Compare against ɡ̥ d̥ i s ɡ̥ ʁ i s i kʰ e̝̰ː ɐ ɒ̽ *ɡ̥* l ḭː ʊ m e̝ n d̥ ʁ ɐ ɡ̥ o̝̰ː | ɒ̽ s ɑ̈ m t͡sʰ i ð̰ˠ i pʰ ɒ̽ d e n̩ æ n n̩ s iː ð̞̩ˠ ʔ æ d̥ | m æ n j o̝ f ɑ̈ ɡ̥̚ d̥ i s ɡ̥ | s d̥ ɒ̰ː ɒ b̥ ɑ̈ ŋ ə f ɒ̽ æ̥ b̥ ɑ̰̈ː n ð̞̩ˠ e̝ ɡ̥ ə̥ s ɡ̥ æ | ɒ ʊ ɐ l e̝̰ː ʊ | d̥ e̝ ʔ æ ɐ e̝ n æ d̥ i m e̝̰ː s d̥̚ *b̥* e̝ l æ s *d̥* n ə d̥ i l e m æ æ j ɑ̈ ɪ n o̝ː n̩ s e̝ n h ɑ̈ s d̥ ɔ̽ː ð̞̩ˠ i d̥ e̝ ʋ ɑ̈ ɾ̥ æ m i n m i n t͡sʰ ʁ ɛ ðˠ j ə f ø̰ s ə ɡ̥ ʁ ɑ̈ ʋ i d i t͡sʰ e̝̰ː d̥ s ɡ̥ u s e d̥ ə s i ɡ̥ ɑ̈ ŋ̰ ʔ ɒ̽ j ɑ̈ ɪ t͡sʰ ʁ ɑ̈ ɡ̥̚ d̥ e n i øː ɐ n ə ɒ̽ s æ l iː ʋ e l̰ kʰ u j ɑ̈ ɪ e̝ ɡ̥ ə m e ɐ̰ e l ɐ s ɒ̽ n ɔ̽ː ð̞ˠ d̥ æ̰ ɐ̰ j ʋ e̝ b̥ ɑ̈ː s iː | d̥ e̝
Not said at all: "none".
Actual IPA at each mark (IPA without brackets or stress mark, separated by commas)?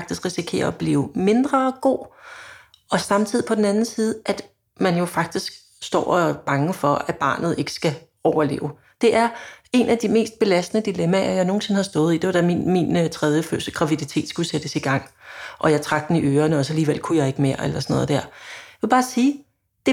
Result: b̥, b̥, d̥